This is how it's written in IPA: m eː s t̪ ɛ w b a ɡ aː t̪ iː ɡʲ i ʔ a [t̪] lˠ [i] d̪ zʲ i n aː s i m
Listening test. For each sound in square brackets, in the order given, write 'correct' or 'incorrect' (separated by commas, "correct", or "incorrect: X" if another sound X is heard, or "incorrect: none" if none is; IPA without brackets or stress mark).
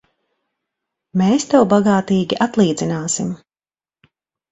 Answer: correct, incorrect: iː